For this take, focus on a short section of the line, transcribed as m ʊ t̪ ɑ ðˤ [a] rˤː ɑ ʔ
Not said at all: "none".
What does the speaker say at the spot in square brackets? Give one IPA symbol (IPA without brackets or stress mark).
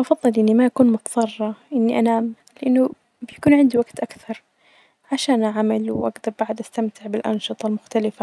ɑ